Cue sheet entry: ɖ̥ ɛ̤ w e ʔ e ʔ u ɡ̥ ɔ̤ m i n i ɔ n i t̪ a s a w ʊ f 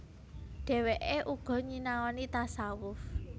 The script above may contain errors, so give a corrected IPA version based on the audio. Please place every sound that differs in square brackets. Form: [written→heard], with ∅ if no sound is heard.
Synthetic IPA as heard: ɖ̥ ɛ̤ w e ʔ e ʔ u ɡ̥ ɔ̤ [m→ɲ] i n [i→a] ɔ n i t̪ a s a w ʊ f